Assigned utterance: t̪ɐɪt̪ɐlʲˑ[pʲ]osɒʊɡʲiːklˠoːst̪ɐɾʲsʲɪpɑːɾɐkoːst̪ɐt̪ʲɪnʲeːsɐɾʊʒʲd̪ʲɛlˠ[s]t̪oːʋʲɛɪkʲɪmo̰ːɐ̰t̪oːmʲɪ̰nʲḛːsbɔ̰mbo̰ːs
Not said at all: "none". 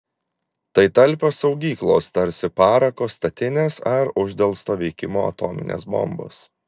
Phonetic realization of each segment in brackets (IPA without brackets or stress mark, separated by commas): pʲ, s